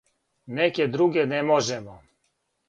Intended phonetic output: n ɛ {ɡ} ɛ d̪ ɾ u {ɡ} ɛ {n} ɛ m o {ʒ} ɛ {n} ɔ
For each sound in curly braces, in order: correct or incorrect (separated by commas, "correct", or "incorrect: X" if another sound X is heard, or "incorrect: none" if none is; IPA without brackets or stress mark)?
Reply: incorrect: k, correct, correct, correct, incorrect: m